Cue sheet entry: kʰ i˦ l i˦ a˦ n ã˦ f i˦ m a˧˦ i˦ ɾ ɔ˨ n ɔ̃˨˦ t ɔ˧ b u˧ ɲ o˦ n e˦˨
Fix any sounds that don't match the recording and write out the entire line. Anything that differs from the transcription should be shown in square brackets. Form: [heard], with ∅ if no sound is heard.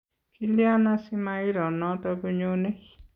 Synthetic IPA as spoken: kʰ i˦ l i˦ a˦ n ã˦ [s] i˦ m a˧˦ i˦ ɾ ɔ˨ n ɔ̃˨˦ t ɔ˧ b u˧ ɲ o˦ n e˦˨